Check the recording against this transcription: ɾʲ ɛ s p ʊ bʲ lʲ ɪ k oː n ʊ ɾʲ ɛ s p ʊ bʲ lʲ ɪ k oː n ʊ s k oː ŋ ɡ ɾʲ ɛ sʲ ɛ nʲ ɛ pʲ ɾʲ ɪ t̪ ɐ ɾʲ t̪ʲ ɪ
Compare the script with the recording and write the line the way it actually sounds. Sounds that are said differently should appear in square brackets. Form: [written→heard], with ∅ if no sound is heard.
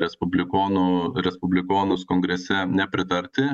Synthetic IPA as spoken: ɾʲ ɛ s p ʊ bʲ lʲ ɪ k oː n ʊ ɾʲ ɛ s p ʊ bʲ lʲ ɪ k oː n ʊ s k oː ŋ ɡ ɾʲ ɛ sʲ ɛ nʲ ɛ pʲ ɾʲ ɪ t̪ ɐ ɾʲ t̪ʲ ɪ